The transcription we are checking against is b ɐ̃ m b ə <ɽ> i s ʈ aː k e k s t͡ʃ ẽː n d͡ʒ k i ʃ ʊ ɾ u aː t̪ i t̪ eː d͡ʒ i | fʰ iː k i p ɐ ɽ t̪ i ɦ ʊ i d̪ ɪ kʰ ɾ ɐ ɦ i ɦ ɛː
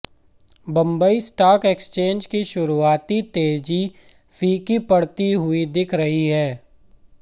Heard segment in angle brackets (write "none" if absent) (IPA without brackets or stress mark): none